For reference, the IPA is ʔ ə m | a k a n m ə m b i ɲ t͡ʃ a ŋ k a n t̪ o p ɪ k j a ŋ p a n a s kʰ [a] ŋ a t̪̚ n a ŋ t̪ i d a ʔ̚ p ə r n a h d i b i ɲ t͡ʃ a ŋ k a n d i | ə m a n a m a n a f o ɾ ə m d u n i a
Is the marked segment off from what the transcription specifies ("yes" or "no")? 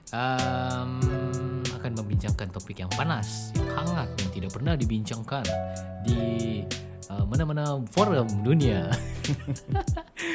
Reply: no